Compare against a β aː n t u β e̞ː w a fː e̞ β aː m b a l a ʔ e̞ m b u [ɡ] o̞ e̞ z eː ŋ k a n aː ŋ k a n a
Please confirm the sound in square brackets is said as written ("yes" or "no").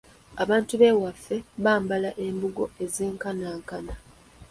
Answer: yes